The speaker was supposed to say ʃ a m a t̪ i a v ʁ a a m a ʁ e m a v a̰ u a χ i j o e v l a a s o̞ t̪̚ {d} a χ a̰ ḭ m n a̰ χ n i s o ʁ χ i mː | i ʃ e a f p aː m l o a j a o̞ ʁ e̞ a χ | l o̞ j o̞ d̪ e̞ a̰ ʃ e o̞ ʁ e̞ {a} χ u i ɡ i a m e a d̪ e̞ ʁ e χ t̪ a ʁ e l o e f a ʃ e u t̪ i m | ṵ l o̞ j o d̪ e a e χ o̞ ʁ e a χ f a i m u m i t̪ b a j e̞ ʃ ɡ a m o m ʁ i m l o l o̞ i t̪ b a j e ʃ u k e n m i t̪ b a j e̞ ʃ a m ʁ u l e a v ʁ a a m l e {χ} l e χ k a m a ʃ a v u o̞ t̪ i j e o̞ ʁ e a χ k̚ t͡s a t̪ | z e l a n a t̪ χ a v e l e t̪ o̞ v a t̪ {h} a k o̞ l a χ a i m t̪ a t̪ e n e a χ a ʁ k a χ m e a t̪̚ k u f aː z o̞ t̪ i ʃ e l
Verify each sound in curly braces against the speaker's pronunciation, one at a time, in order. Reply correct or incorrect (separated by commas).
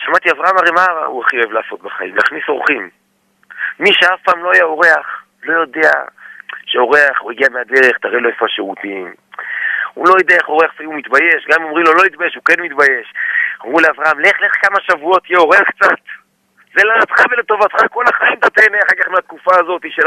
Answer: incorrect, correct, correct, incorrect